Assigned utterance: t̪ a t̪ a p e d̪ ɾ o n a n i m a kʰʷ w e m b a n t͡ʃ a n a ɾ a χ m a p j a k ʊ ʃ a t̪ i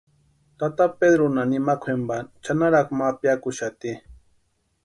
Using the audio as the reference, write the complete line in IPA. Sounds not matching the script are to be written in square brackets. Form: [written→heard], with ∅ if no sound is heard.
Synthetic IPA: t̪ a t̪ a p e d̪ ɾ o n a n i m a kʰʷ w e m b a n t͡ʃ a n a ɾ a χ m a p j a k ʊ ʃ a t̪ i

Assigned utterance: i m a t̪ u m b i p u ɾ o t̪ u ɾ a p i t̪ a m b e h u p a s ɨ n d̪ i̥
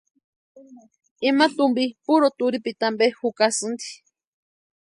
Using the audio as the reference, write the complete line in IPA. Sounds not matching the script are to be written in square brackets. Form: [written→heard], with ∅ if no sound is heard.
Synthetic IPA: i m a t̪ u m b i p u ɾ o t̪ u ɾ [a→i] p i t̪ a m b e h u [p→k] a s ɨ n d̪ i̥

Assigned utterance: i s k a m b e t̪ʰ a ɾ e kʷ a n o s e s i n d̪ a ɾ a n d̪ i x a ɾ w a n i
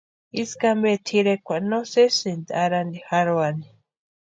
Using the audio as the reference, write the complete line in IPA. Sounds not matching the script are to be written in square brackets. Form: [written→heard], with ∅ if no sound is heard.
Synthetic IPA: i s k a m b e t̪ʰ [a→i] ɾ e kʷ a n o s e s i n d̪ a ɾ a n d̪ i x a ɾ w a n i

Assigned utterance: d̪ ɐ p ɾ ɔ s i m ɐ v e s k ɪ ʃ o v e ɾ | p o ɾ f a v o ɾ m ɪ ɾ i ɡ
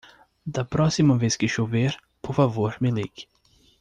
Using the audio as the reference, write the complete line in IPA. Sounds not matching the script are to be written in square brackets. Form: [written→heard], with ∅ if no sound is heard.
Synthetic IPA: d̪ ɐ p ɾ ɔ s i m ɐ v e s k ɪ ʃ o v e ɾ | p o ɾ f a v o ɾ m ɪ [ɾ→l] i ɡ

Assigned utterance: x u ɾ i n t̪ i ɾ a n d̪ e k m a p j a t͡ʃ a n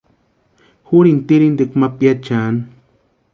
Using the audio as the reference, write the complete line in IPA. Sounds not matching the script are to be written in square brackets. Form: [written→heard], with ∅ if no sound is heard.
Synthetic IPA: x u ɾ i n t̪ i ɾ [a→i] n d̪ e k m a p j a t͡ʃ a n

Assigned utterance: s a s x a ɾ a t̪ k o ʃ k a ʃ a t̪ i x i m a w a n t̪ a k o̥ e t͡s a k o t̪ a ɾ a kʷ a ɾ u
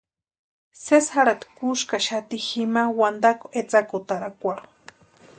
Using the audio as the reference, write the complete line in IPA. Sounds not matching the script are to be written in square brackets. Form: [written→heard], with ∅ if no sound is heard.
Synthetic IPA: s [a→e] s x a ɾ a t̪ k [o→u] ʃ k a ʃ a t̪ i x i m a w a n [t̪→d̪] a k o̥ e t͡s a k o t̪ a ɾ a kʷ a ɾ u

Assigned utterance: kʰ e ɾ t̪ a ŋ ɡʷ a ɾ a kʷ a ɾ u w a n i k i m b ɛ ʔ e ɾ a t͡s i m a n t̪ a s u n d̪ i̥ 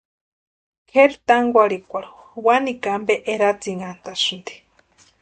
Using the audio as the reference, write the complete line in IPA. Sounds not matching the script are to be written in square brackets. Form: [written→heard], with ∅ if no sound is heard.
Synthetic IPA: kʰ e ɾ t̪ a ŋ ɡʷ a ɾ [a→i] kʷ a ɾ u w a n i k [i→a] m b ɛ ʔ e ɾ a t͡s i [m→ŋ] a n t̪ a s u n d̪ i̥

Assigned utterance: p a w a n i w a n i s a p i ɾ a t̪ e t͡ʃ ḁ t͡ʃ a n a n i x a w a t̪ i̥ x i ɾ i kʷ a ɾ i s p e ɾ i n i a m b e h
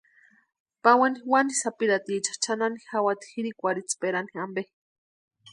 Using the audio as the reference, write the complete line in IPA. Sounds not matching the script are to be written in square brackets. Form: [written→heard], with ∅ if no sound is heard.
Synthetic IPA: p a w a n i w a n i s a p i ɾ a t̪ [e→i] t͡ʃ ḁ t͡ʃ a n a n i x a w a t̪ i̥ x i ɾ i kʷ a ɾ i [s→t͡s] p e ɾ [i→a] n i a m b e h

